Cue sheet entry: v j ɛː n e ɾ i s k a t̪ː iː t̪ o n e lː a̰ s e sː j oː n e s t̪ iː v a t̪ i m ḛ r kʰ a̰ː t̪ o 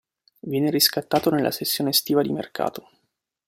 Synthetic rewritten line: v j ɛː n e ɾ i s k a t̪ː aː t̪ o n e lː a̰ s e sː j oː n e s t̪ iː v a d̪ i m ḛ r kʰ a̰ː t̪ o